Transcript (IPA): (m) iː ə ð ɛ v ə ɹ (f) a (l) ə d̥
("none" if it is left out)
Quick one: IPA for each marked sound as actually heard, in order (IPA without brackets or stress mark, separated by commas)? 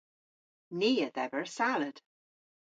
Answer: n, s, l